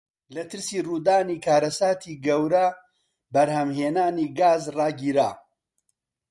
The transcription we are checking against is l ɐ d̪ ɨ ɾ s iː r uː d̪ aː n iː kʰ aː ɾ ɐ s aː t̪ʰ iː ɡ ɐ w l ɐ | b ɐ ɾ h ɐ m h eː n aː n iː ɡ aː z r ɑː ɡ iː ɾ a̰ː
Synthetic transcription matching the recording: l ɐ t̪ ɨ ɾ s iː r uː d̪ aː n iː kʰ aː ɾ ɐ s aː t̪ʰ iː ɡ ɐ w ɾ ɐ | b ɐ ɾ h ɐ m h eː n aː n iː ɡ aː z r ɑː ɡ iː ɾ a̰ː